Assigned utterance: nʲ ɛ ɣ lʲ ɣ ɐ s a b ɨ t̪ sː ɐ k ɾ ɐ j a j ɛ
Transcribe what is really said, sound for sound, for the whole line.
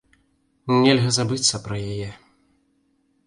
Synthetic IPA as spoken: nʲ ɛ lʲ ɣ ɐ z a b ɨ t̪ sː ɐ p ɾ ɐ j a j ɛ